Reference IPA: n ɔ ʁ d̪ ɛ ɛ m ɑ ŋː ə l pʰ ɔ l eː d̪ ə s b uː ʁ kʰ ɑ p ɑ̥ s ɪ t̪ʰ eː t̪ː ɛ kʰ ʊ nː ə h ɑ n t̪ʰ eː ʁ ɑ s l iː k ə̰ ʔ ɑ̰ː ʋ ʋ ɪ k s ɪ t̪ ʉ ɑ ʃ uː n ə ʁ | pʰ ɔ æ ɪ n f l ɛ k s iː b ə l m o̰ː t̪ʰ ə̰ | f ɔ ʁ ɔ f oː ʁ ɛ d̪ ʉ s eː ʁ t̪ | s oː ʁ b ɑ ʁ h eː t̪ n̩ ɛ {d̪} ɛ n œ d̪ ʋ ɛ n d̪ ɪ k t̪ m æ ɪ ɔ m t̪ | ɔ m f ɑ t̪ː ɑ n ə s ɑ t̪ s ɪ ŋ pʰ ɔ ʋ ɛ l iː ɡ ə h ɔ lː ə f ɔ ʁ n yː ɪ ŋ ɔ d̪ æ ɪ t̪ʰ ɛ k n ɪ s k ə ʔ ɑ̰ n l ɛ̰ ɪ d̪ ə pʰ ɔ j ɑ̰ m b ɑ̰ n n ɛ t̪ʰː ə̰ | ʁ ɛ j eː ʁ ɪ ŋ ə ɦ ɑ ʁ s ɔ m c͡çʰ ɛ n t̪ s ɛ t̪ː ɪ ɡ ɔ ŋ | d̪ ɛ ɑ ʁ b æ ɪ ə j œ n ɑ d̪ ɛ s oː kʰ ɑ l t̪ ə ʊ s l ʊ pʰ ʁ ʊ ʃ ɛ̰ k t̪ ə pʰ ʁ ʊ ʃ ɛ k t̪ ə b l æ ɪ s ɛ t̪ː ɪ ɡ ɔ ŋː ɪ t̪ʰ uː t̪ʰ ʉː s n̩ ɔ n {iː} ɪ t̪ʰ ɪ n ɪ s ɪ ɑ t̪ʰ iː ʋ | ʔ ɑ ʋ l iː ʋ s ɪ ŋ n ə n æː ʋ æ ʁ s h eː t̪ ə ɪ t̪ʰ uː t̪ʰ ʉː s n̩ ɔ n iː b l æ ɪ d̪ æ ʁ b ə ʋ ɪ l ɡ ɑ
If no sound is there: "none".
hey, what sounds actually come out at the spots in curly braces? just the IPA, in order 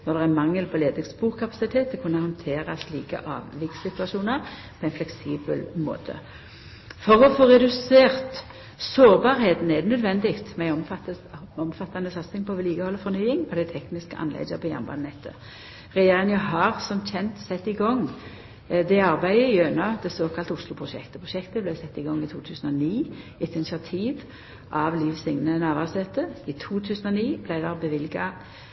d̪, iː

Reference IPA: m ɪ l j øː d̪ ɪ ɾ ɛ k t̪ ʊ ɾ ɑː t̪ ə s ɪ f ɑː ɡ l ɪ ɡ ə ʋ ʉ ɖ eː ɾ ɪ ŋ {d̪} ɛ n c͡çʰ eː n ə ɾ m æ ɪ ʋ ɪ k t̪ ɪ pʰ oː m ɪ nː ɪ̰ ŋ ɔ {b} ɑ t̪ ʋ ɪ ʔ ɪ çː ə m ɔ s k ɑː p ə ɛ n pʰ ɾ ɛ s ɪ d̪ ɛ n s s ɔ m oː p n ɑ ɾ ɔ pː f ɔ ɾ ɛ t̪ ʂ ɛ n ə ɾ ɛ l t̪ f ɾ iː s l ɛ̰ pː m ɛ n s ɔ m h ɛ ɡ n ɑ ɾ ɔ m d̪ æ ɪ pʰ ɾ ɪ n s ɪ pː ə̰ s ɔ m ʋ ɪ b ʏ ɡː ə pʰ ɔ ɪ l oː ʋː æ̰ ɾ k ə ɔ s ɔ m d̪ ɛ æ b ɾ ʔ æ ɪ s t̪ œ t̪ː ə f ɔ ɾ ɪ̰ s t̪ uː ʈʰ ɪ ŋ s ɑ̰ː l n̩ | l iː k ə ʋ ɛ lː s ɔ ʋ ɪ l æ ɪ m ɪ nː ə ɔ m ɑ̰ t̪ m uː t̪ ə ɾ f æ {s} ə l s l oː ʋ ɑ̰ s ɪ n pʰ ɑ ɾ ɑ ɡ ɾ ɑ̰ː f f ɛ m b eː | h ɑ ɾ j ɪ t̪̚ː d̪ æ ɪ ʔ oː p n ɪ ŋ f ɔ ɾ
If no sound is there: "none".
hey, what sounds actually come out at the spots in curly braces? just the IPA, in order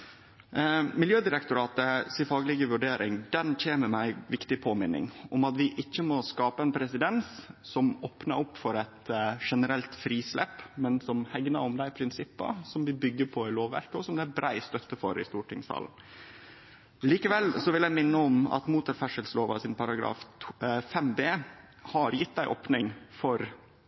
d̪, m, ʂ

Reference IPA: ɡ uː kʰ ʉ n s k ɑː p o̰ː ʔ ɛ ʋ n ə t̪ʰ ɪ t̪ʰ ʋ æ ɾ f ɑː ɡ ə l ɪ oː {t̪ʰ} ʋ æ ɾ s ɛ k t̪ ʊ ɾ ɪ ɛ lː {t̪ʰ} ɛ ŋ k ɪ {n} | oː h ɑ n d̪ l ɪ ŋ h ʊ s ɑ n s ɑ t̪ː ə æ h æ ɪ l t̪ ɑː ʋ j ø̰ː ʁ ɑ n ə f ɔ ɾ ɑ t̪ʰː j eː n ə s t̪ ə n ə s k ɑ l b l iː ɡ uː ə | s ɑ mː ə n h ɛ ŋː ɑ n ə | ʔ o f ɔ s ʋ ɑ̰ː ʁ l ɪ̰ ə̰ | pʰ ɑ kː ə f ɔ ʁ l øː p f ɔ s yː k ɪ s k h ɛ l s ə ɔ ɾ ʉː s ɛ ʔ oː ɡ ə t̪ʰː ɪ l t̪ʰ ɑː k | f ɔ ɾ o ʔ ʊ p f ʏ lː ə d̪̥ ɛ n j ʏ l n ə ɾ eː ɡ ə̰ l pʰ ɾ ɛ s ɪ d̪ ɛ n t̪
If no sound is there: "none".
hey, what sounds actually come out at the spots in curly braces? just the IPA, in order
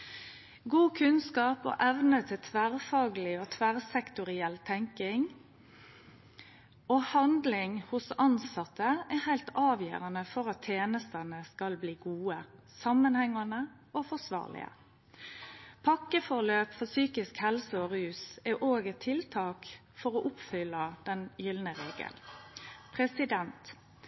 t̪ʰ, t̪ʰ, ŋ

